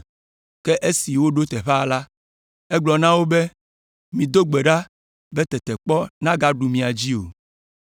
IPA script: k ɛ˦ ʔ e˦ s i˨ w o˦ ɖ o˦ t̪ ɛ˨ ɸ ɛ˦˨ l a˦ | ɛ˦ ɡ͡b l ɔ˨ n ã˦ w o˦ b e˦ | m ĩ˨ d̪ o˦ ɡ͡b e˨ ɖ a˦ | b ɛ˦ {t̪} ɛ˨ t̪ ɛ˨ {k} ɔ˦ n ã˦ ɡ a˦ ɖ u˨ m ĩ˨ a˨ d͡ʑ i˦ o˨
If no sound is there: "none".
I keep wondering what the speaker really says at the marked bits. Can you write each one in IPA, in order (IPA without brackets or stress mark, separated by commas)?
t̪, k͡p